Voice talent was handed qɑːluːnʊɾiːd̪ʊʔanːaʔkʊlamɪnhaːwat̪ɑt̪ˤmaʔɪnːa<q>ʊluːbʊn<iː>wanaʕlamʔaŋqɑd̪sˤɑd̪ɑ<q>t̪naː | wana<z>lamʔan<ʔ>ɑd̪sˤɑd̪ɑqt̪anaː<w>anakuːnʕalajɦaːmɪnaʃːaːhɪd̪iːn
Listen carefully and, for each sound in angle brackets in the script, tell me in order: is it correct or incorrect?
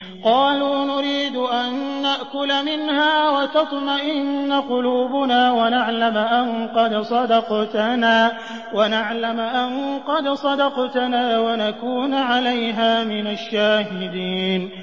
correct, incorrect, correct, incorrect, incorrect, correct

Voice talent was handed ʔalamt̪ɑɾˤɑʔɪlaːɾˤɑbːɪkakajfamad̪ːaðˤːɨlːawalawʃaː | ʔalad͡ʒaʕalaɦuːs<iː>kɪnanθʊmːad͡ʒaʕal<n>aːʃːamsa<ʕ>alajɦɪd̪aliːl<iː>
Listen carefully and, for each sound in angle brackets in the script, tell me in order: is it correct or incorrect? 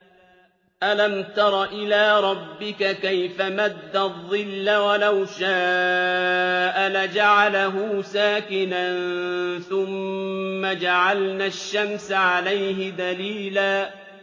incorrect, correct, correct, incorrect

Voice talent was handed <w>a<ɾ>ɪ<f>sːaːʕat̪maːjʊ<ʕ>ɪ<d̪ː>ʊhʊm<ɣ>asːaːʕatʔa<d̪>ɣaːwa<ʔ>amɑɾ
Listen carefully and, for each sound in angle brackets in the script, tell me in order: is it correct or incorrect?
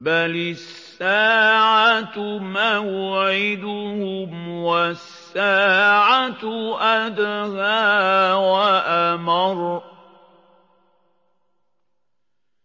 incorrect, incorrect, incorrect, correct, incorrect, incorrect, correct, correct

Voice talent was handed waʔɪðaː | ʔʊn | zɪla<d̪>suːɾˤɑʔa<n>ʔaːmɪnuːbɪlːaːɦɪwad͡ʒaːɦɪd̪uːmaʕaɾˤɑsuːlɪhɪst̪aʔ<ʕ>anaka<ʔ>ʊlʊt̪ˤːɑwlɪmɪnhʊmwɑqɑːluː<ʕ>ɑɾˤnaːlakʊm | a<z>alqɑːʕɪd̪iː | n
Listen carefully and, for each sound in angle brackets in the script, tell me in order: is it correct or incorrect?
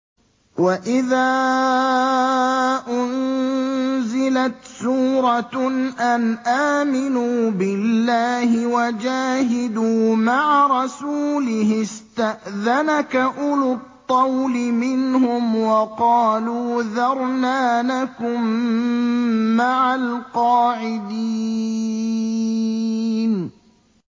incorrect, correct, incorrect, correct, incorrect, incorrect

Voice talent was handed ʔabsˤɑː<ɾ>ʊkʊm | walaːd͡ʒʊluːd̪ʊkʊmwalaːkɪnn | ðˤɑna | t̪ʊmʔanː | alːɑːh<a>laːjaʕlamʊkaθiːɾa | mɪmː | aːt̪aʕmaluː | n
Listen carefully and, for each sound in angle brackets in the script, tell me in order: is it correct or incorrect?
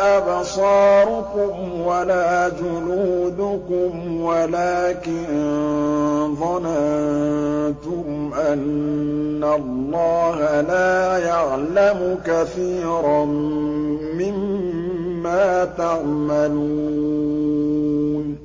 correct, correct

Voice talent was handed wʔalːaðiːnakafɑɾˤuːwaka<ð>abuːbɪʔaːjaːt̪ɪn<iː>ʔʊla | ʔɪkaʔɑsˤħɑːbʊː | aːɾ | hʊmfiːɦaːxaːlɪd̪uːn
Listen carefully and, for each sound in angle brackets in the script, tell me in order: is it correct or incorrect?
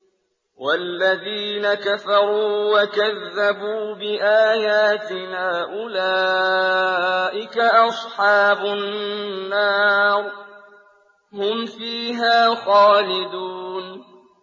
incorrect, incorrect

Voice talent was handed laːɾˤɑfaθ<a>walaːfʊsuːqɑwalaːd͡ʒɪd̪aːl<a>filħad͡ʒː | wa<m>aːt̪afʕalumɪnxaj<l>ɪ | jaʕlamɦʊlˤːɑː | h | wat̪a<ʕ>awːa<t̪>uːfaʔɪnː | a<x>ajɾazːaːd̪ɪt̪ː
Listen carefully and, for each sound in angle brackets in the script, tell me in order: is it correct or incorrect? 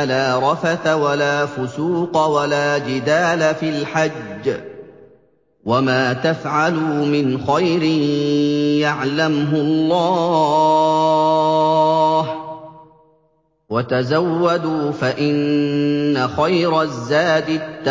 correct, correct, correct, incorrect, incorrect, incorrect, correct

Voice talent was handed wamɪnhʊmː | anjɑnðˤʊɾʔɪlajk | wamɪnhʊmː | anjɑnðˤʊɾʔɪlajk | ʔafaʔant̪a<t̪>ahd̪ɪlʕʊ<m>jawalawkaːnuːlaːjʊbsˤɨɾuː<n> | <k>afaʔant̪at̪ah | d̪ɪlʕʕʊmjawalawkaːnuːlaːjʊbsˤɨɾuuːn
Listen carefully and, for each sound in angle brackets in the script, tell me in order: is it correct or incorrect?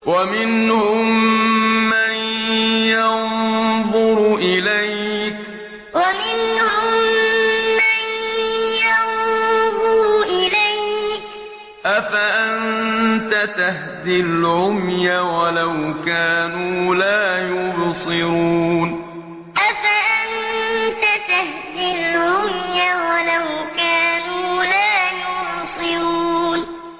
correct, correct, correct, incorrect

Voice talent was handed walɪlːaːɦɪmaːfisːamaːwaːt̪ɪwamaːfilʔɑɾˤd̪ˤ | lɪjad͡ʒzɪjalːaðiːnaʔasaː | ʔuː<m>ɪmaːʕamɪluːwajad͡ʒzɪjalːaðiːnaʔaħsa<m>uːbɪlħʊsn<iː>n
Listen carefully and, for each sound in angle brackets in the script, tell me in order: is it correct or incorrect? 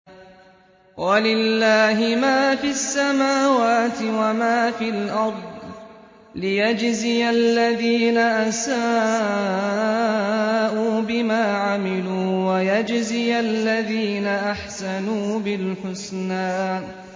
incorrect, incorrect, incorrect

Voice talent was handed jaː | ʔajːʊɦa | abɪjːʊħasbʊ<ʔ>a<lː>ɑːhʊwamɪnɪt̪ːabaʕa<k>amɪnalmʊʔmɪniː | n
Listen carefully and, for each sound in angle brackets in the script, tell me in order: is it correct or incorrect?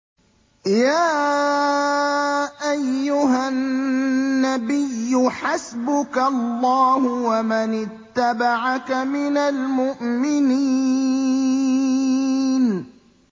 incorrect, correct, correct

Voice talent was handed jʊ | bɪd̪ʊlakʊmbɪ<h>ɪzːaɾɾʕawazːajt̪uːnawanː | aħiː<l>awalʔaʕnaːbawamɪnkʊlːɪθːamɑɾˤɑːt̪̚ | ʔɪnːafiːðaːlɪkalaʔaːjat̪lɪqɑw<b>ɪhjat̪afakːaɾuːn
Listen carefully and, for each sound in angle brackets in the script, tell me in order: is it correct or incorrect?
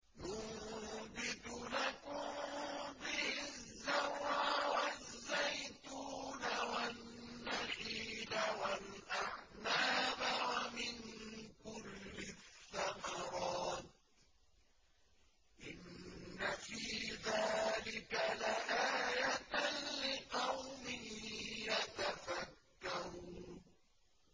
correct, correct, incorrect

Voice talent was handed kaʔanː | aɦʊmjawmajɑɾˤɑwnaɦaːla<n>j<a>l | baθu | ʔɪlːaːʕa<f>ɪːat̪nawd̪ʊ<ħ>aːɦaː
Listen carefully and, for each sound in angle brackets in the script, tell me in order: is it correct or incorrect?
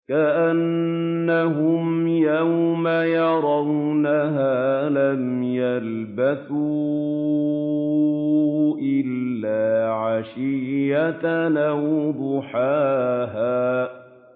incorrect, correct, incorrect, correct

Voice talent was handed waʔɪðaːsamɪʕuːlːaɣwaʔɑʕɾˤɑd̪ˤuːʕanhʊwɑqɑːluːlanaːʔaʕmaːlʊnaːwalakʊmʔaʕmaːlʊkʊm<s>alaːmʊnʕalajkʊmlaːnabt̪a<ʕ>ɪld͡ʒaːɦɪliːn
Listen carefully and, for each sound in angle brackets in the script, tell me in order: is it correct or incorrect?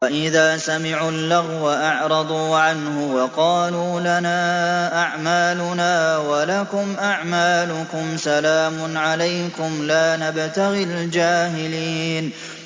correct, incorrect

